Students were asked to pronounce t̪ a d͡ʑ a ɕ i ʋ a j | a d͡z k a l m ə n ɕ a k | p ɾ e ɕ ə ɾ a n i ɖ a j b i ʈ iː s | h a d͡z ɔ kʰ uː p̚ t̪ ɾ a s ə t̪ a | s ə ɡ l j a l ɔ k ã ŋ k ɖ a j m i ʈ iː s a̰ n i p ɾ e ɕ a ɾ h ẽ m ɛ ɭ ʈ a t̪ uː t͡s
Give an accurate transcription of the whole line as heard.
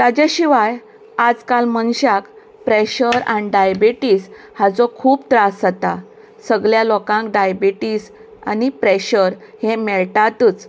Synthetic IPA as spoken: t̪ a d͡ʑ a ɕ i ʋ a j | a d͡z k a l m ə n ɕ a k | p ɾ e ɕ ə ɾ a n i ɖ a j b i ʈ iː s | h a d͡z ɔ kʰ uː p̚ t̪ ɾ a s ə t̪ a | s ə ɡ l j a l ɔ k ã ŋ k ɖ a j b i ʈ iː s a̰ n i p ɾ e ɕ ə ɾ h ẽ m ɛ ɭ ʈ a t̪ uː t͡s